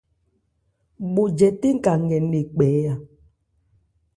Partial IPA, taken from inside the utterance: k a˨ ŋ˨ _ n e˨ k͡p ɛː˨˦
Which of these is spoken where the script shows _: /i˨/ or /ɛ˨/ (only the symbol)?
ɛ˨